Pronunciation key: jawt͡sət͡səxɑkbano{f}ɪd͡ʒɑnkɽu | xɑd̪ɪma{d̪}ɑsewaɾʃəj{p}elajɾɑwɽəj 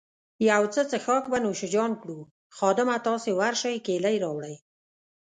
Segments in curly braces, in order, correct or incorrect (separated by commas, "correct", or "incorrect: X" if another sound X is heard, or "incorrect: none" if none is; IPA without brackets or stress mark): incorrect: ʃ, incorrect: t̪, incorrect: k